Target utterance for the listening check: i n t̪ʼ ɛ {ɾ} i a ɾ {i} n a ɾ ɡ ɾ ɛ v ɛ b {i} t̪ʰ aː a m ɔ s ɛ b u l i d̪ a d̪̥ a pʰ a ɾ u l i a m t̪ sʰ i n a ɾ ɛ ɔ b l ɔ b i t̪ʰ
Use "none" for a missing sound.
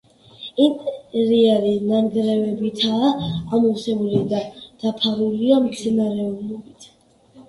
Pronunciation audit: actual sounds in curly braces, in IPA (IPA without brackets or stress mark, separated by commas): ɾ, i, i